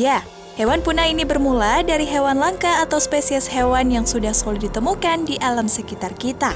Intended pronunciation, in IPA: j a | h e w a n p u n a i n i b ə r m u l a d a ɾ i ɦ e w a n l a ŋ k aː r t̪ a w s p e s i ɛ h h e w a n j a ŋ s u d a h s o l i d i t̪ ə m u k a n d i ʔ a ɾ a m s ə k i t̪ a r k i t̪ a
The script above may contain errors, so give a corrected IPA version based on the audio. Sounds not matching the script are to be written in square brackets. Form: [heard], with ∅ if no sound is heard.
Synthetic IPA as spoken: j a | h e w a n p u n a i n i b ə r m u l a d a ɾ i ɦ e w a n l a ŋ k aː [∅] t̪ a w s p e s i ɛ [s] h e w a n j a ŋ s u d a h s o l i d i t̪ ə m u k a n d i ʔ a [l] a m s ə k i t̪ a r k i t̪ a